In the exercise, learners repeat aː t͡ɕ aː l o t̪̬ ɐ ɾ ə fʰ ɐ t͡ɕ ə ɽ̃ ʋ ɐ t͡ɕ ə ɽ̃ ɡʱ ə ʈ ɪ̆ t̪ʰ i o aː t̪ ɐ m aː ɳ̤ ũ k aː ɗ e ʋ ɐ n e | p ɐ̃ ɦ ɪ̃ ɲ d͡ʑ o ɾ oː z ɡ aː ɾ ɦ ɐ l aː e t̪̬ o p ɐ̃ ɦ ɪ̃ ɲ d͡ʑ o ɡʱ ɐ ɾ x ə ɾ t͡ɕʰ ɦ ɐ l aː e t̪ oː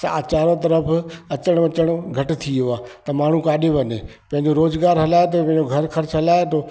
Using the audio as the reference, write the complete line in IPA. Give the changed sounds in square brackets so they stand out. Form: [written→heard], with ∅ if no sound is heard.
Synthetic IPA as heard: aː t͡ɕ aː [l→ɾ] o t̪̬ ɐ ɾ ə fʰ ɐ t͡ɕ ə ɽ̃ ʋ ɐ t͡ɕ ə ɽ̃ ɡʱ [ə→ɐ] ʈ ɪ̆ t̪ʰ i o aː t̪ ɐ m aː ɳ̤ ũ k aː ɗ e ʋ ɐ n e | p ɐ̃ ɦ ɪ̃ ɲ d͡ʑ o ɾ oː z ɡ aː ɾ ɦ ɐ l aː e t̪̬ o p ɐ̃ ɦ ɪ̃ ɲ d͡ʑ o ɡʱ ɐ ɾ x [ə→ɐ] ɾ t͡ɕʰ ɦ ɐ l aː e t̪ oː